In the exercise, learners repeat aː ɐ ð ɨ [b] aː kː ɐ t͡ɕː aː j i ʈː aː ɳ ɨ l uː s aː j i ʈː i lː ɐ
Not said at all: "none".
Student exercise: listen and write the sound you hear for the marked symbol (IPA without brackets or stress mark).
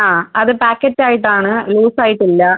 p